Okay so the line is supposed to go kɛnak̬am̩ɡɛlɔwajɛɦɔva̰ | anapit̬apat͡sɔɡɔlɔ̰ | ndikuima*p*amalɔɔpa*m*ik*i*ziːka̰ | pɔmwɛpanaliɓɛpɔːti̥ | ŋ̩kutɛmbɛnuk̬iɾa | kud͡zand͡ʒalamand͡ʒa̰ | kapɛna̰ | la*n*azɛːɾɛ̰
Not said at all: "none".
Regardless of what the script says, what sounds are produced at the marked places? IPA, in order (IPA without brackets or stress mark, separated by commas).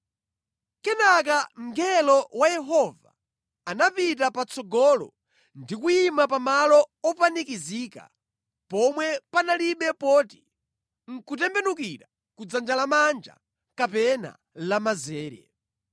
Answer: p, n, i, m